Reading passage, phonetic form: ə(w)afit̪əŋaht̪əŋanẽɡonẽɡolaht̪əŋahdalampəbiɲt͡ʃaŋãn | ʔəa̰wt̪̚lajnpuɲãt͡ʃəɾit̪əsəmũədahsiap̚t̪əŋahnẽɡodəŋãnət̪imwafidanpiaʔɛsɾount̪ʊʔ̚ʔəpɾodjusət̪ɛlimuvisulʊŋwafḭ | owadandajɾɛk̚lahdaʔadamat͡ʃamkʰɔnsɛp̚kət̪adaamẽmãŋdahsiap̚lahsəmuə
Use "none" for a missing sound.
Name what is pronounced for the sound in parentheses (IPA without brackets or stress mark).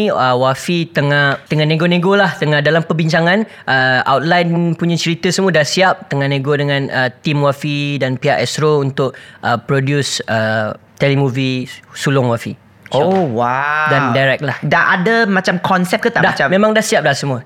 w